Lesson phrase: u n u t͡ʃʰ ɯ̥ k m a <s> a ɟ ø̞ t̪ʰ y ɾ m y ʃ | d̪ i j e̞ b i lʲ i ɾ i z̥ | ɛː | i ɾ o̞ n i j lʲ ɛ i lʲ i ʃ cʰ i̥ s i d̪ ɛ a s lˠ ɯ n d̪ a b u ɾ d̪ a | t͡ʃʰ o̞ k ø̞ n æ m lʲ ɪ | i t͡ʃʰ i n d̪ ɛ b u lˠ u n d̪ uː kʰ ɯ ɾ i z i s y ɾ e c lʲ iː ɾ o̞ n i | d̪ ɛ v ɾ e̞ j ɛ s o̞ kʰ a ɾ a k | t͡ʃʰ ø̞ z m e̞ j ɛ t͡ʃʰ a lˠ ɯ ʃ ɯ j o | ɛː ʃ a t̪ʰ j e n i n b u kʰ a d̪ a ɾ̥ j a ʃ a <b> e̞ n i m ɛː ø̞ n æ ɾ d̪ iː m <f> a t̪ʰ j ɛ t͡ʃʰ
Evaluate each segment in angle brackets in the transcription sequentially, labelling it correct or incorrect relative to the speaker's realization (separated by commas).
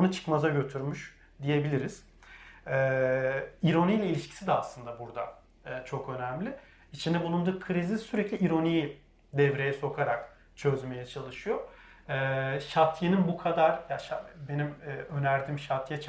incorrect, correct, incorrect